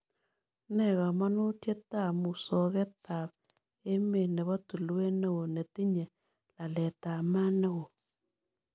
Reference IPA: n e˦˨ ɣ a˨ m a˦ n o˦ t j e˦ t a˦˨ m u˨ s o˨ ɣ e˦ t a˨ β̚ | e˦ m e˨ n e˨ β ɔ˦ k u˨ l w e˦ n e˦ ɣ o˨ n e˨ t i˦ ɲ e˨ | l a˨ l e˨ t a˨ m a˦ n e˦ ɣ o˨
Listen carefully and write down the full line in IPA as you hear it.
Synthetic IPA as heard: n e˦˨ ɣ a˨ m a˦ n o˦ t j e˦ t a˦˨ m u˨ s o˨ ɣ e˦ t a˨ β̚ | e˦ m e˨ n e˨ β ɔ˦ t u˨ l w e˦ n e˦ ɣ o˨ n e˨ t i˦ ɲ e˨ | l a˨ l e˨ t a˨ m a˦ n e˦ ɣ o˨